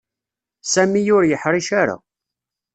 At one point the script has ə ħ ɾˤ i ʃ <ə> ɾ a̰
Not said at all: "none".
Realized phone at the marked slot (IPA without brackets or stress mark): a